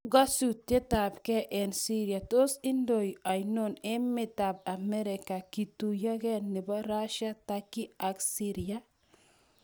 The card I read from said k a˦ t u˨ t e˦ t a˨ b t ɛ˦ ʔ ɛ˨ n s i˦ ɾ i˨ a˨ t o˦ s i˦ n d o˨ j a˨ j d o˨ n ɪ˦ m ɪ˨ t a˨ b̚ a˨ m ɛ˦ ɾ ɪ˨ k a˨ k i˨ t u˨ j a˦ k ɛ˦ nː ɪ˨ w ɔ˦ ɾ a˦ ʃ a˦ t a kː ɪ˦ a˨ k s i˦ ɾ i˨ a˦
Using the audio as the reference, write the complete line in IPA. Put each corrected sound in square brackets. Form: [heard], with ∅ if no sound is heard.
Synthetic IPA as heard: [ɡ] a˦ [s] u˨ t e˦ t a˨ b [k] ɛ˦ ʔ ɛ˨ n s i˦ ɾ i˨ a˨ t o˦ s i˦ n d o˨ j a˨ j [n] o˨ n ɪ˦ m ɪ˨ t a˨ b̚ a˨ m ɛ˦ ɾ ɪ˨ k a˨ k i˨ t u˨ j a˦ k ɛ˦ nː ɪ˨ [b] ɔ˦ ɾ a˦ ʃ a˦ t a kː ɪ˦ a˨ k s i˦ ɾ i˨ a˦

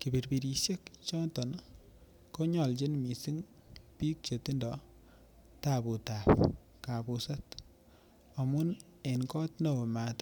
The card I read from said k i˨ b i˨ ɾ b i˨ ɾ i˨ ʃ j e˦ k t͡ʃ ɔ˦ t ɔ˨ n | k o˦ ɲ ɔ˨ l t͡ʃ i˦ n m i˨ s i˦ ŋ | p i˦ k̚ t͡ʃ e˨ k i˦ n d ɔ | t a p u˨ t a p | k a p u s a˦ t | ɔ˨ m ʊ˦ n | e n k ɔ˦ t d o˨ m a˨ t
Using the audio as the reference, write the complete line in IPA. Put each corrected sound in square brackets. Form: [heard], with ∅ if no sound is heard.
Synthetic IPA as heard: k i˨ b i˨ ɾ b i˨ ɾ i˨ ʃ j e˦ k t͡ʃ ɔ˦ t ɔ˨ n | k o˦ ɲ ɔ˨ l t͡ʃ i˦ n m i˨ s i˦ ŋ | p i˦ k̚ t͡ʃ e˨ [t] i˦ n d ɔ | t a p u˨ t a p | k a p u s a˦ t | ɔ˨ m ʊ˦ n | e n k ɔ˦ t [n] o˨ m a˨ t

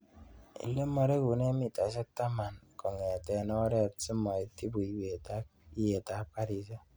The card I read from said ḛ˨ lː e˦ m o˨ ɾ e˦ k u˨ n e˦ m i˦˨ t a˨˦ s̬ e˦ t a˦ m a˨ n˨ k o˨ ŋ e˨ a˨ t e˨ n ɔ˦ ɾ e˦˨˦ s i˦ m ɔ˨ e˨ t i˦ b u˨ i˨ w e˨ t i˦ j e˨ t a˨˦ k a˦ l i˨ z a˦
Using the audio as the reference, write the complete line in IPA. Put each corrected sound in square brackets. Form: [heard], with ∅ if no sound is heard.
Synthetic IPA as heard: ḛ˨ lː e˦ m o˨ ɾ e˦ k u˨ n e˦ m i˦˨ t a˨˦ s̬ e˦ t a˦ m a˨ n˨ k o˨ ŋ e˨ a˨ t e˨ n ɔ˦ ɾ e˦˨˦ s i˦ m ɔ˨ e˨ t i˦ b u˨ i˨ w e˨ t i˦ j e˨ t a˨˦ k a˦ [ɾ] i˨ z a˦

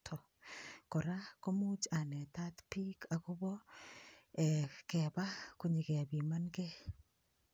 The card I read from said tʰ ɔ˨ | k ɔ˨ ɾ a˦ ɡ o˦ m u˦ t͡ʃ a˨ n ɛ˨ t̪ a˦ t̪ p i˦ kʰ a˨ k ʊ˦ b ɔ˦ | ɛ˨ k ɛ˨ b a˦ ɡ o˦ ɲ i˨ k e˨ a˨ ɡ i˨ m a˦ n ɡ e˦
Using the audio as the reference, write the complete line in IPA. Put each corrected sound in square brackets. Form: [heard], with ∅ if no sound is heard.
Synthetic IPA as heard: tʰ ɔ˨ | k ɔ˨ ɾ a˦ [k] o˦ m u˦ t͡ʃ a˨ n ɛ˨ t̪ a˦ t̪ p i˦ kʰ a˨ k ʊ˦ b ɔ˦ | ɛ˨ k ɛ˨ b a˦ [k] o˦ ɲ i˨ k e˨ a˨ [b] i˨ m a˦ n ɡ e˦

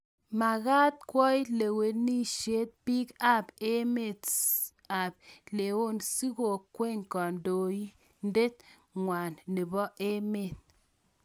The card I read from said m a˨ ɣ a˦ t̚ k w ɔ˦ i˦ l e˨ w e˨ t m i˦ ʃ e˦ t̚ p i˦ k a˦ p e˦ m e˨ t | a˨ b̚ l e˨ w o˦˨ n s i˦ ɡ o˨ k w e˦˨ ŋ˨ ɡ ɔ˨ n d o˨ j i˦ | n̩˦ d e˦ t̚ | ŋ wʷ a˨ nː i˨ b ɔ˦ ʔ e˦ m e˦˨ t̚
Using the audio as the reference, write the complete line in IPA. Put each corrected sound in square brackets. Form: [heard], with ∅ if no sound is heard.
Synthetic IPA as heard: m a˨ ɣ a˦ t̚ k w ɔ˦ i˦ l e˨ w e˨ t [n] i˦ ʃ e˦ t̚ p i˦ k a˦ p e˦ m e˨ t | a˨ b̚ l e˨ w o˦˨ n s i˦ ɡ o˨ k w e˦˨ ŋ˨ [k] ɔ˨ n d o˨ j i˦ | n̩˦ d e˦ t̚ | ŋ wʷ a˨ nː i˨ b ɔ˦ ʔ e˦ m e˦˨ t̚

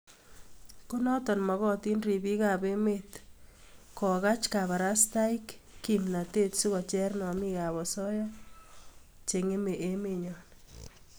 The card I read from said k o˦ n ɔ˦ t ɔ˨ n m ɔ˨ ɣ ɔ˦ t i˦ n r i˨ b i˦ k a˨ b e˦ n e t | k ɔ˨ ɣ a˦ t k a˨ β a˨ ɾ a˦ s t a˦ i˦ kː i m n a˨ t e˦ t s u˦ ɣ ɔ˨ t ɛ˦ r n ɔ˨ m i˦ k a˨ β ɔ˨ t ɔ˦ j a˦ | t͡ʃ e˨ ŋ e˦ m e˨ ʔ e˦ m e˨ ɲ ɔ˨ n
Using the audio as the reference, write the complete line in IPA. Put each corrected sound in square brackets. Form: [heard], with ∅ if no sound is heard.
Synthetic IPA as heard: k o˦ n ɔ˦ t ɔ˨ n m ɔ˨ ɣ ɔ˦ t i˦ n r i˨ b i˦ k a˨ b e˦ [m] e t | k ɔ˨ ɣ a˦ [t͡ʃ] k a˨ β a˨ ɾ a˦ s t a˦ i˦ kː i m n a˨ t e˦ t s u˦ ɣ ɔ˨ [t͡ʃ] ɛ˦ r n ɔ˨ m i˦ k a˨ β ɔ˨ [s] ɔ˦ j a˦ | t͡ʃ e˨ ŋ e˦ m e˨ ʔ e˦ m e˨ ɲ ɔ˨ n

